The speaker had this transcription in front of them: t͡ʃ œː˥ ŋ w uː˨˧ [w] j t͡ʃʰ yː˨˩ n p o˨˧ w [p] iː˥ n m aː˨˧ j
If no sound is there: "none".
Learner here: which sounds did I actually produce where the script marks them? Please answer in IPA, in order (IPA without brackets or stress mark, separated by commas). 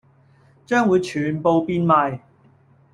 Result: none, p